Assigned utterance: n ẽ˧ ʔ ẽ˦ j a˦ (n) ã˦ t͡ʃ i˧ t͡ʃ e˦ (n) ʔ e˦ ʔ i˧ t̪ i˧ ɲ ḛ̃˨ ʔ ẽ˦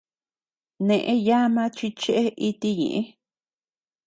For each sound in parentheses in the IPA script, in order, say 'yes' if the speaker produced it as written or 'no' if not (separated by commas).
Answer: no, no